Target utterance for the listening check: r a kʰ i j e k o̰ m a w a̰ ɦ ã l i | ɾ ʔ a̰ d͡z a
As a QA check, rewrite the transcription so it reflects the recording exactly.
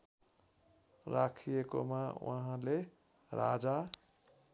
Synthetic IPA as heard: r a kʰ i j e k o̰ m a w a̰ ɦ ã l e | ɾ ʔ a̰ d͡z a